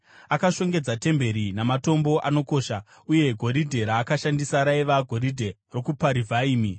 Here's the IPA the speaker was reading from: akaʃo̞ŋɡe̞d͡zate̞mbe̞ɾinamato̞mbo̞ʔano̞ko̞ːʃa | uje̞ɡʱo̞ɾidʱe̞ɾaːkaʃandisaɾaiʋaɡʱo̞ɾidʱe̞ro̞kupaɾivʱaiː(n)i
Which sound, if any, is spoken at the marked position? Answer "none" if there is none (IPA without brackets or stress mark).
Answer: m